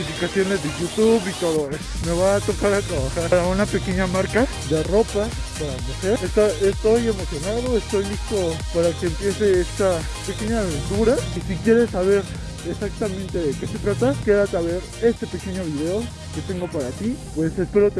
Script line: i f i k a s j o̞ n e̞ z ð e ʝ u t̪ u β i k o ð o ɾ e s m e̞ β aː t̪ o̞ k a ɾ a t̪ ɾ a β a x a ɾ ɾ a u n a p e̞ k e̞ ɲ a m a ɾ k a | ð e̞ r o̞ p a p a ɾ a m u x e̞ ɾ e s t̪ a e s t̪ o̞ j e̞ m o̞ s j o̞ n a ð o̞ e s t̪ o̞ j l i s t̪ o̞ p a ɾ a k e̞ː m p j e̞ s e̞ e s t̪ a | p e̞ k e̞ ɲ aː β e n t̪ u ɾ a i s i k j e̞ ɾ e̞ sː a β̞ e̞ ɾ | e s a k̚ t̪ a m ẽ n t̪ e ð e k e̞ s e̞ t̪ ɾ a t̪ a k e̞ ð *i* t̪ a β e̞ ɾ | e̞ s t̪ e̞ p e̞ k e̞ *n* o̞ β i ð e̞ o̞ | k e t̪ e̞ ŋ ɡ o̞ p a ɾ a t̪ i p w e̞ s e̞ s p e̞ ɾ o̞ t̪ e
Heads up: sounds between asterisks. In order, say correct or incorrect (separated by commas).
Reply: incorrect, incorrect